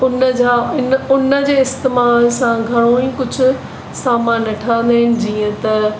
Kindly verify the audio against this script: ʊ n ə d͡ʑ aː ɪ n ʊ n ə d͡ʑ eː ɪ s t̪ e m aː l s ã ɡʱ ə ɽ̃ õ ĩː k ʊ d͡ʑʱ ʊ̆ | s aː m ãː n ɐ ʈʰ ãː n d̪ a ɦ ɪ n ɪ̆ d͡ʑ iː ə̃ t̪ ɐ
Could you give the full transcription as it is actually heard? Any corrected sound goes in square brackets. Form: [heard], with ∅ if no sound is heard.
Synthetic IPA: ʊ n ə d͡ʑ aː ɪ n ʊ n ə d͡ʑ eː ɪ s t̪ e m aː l s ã ɡʱ [ɐ] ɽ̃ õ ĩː k ʊ d͡ʑʱ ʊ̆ | s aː m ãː n ɐ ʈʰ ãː n d̪ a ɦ ɪ n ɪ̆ d͡ʑ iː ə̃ t̪ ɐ